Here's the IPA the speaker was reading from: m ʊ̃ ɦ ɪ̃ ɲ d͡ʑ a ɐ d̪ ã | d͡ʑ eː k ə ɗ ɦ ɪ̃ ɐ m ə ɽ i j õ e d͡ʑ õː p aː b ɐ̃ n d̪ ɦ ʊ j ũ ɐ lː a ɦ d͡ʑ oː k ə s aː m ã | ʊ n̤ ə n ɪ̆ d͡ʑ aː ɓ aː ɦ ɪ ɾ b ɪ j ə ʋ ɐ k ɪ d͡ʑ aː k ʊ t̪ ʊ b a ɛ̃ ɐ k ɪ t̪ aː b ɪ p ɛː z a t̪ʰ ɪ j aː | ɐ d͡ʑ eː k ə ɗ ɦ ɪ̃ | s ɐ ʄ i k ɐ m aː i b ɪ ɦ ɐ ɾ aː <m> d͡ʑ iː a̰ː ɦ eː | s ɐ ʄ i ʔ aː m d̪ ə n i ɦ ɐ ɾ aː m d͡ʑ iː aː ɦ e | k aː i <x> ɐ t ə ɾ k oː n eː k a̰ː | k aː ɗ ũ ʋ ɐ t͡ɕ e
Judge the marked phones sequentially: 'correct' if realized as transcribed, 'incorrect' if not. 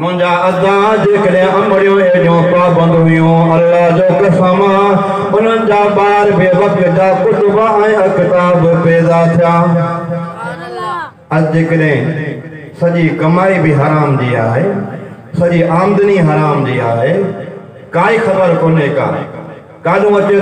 correct, correct

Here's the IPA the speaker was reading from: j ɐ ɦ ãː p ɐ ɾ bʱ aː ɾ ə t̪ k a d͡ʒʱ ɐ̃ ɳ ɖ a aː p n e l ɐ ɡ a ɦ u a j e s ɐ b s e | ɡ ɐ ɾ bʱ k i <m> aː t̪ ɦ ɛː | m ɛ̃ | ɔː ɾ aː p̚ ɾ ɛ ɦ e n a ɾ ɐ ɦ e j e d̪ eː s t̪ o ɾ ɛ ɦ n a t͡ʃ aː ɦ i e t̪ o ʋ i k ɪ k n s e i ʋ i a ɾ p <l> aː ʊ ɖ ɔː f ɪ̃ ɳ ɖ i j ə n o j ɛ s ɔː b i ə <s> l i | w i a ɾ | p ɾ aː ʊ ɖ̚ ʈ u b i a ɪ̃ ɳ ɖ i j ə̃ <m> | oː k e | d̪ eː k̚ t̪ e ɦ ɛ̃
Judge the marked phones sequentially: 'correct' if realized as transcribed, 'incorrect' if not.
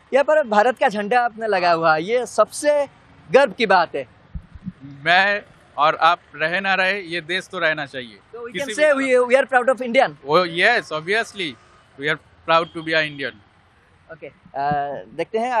incorrect, incorrect, correct, incorrect

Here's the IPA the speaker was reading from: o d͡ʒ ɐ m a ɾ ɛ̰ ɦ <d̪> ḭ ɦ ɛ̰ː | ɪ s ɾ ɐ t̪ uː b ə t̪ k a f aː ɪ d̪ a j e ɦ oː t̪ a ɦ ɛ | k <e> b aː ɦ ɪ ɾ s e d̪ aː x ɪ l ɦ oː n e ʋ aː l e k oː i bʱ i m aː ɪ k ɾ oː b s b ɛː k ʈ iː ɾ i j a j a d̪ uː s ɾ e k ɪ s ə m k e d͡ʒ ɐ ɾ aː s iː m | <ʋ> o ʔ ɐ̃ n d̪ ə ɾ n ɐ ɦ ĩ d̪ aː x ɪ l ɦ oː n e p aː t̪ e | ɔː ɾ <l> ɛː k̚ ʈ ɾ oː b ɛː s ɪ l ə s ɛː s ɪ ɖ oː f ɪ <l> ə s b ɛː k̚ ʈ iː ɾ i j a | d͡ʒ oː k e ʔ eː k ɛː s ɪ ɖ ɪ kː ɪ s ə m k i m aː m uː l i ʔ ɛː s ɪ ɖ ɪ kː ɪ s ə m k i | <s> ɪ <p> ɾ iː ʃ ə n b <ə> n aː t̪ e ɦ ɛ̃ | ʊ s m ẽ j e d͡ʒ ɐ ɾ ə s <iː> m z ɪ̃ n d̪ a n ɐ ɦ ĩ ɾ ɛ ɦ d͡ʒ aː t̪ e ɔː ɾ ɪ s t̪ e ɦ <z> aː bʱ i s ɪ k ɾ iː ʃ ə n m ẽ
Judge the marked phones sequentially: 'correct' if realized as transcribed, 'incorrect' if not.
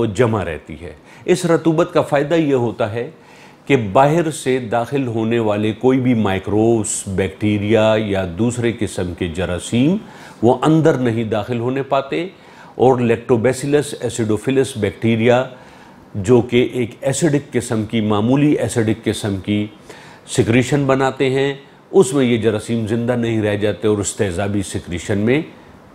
incorrect, correct, correct, correct, correct, correct, incorrect, incorrect, correct, correct

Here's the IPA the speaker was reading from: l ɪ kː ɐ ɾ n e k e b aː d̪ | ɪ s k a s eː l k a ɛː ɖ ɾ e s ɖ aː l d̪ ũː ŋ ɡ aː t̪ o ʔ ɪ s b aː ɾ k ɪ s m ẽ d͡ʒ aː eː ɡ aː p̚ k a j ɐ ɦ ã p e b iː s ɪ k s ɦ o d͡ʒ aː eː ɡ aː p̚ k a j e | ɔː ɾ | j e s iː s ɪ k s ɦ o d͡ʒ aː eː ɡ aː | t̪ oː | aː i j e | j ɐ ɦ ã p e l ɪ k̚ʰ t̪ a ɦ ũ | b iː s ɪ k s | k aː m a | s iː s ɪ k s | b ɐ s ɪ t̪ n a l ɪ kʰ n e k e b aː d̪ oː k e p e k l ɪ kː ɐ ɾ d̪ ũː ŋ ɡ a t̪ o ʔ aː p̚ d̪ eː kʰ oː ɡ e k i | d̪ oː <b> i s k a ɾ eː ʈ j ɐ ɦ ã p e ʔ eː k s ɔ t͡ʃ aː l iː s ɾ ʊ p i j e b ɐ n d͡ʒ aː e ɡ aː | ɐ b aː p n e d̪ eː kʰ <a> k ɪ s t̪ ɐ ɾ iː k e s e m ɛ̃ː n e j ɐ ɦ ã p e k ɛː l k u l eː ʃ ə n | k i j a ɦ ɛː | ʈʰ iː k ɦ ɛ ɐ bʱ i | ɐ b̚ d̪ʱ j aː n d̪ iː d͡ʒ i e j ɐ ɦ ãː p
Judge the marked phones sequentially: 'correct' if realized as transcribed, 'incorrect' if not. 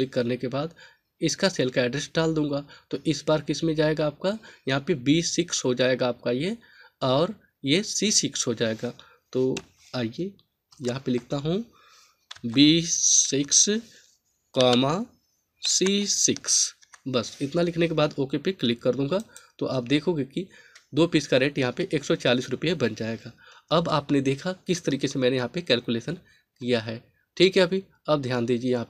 incorrect, correct

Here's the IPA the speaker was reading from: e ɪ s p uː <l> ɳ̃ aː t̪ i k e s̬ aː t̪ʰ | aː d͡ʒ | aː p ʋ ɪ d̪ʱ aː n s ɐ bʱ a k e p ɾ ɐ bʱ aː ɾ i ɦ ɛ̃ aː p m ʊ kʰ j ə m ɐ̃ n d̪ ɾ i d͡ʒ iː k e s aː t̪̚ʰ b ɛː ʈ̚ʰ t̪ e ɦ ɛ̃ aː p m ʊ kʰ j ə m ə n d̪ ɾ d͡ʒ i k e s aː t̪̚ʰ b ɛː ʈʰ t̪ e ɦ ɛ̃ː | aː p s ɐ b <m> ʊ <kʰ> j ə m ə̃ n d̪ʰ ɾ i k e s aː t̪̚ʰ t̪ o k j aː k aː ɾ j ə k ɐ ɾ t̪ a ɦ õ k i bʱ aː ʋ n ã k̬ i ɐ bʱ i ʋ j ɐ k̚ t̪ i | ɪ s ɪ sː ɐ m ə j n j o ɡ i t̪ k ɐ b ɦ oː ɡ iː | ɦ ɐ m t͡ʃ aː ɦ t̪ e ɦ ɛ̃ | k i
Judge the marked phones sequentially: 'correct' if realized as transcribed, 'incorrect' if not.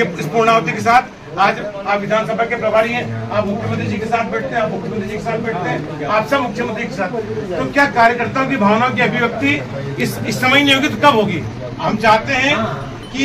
incorrect, correct, correct

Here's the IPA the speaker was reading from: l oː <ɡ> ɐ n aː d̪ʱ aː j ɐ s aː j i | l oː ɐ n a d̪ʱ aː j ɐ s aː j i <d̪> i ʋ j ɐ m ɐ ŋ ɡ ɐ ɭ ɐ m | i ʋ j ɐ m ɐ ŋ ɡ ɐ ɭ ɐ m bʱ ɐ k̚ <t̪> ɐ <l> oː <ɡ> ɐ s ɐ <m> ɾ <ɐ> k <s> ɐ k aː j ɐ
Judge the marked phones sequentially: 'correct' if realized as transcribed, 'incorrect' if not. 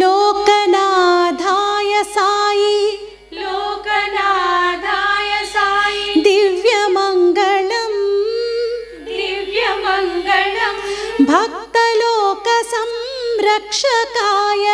incorrect, correct, correct, correct, incorrect, correct, correct, incorrect

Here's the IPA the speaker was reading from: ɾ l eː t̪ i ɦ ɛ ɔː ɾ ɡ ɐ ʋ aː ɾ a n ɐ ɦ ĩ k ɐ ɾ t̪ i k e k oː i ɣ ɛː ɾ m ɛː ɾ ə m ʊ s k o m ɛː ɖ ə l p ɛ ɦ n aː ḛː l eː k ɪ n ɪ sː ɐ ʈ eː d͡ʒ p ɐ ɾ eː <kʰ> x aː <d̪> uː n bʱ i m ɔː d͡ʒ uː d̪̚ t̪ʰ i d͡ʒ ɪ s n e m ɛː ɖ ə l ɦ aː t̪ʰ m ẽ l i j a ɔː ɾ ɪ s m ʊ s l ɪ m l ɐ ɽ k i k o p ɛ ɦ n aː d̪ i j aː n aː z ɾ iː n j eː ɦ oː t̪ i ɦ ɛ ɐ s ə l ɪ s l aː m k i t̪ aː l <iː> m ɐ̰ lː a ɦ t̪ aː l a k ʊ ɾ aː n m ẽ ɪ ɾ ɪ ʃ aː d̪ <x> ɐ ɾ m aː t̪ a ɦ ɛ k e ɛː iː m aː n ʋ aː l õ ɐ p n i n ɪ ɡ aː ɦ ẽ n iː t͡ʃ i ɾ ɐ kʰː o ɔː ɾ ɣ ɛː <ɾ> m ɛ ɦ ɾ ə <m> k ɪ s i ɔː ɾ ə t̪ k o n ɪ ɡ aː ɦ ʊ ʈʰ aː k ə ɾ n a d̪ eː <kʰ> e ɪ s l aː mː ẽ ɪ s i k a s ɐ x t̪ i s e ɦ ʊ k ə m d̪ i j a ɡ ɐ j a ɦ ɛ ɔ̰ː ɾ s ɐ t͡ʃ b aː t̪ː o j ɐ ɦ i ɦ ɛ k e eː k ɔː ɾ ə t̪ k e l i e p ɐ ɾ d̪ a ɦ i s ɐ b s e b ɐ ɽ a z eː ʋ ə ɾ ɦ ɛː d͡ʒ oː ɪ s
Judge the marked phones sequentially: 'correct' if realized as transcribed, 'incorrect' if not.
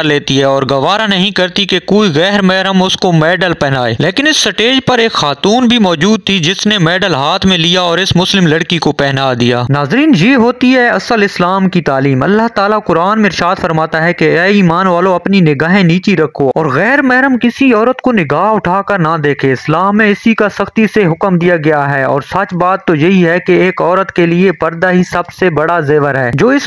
incorrect, incorrect, correct, incorrect, correct, correct, correct

